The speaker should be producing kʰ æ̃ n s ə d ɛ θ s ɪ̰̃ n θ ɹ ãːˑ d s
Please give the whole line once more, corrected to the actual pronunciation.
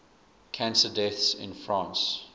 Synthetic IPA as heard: kʰ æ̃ n s ə d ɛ θ s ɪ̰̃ n f ɹ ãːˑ n s